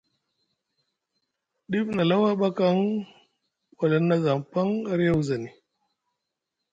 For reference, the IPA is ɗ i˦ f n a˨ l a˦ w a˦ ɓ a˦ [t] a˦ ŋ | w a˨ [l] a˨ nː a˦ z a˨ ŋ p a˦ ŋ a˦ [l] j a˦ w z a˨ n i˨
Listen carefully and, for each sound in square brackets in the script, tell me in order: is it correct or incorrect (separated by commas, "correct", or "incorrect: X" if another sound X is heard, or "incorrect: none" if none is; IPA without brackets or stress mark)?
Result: incorrect: k, correct, incorrect: ɾ